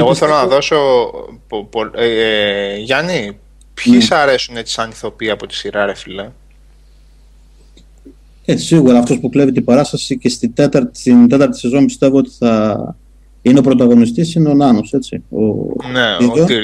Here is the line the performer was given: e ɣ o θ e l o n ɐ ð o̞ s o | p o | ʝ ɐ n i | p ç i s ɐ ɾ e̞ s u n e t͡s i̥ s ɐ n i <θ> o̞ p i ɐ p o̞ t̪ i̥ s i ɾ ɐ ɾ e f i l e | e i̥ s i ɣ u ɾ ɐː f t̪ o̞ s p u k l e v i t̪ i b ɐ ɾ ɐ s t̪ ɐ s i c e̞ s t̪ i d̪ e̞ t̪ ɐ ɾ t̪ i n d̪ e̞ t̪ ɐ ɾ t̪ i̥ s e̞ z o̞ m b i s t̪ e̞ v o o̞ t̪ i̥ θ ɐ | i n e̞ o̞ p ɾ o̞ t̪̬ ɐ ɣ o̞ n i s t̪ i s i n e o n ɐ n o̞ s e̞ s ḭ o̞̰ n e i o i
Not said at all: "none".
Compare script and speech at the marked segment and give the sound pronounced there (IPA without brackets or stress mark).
θ